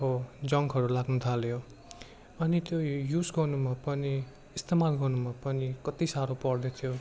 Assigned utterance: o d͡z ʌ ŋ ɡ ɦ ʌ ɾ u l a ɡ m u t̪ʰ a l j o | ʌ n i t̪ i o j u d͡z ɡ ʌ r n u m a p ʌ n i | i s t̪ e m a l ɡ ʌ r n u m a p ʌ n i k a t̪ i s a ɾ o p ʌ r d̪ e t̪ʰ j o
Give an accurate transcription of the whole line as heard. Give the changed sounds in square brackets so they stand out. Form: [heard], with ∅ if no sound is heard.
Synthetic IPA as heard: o d͡z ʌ ŋ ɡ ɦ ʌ ɾ u l a ɡ [n] u t̪ʰ a l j o | ʌ n i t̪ [j] o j u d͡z ɡ ʌ r n u m a p ʌ n i | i s t̪ e m a l ɡ ʌ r n u m a p ʌ n i k [ʌ] t̪ i s a ɾ o p ʌ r d̪ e t̪ʰ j o